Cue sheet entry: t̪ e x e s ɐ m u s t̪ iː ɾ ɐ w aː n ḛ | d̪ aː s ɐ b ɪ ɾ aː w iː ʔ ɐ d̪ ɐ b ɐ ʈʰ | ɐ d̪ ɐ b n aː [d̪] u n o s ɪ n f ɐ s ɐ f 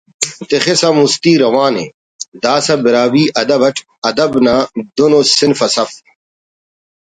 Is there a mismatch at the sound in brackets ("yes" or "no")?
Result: no